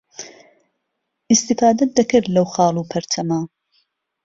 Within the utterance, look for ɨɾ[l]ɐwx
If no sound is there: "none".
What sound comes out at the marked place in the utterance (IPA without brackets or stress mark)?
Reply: l